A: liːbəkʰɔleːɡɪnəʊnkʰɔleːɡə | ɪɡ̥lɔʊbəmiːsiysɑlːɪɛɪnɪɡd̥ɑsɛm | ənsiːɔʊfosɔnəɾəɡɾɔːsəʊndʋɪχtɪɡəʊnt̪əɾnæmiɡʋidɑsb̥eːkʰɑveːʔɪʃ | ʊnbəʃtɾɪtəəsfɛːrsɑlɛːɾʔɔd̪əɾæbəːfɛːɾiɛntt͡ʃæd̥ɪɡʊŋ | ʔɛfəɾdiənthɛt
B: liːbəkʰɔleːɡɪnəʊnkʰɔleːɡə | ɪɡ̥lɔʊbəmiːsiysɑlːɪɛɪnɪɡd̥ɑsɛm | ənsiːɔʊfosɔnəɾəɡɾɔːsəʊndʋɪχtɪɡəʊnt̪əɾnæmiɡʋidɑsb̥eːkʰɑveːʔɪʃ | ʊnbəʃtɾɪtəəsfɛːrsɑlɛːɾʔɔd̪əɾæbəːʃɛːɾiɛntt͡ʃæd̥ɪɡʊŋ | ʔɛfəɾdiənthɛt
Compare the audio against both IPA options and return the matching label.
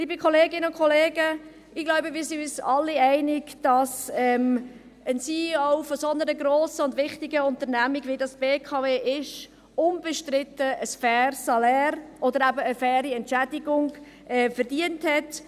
A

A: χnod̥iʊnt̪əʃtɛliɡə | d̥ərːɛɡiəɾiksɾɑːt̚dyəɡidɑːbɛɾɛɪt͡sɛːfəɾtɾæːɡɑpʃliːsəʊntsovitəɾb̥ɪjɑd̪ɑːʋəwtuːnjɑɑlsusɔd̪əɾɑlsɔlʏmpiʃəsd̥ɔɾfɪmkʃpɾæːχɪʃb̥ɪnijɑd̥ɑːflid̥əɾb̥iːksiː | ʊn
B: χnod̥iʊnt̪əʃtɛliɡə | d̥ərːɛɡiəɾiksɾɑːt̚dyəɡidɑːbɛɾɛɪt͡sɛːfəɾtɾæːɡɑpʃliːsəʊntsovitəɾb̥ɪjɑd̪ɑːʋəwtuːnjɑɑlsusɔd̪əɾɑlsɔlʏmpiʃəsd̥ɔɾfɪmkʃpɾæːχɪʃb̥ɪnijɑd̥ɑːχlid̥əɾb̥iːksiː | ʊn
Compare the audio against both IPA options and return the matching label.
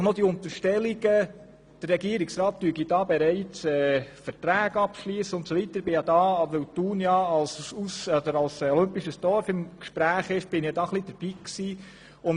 B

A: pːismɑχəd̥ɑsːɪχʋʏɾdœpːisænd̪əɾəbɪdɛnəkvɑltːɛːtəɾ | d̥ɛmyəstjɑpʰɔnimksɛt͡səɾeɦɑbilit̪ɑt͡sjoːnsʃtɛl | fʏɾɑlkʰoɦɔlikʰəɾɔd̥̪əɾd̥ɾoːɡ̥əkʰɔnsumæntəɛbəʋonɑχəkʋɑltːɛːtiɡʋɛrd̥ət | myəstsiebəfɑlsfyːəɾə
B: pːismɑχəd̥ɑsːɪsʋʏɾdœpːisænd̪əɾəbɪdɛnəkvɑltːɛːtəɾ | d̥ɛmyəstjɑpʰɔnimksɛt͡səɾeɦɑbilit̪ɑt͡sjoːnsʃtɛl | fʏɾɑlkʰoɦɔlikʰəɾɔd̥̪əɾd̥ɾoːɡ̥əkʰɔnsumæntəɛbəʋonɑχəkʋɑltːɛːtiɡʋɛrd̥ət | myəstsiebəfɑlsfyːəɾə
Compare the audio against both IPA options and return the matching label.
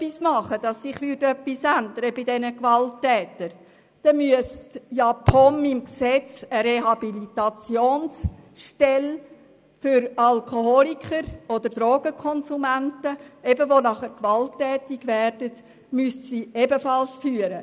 A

